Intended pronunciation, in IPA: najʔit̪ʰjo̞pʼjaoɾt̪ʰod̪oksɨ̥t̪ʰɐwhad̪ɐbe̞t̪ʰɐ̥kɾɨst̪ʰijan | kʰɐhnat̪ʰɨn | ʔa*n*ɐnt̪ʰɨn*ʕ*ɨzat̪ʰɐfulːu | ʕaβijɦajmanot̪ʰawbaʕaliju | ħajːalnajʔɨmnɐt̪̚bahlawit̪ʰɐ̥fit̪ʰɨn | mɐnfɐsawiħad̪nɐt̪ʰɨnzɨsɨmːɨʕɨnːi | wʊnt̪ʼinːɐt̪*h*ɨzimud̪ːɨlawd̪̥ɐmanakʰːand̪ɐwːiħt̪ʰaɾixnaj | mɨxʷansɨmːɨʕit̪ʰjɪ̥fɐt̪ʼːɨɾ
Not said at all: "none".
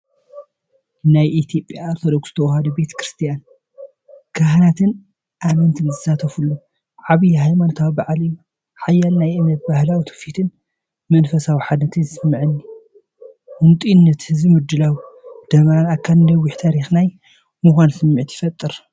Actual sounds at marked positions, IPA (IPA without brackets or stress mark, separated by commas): m, z, h